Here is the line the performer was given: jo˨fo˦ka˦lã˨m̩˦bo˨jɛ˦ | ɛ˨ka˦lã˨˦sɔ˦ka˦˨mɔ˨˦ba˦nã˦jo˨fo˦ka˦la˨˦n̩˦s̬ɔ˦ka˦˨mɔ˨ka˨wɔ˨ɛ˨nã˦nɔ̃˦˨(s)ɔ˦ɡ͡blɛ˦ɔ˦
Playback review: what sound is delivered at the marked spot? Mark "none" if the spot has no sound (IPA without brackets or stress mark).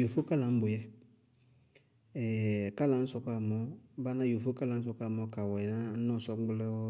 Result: s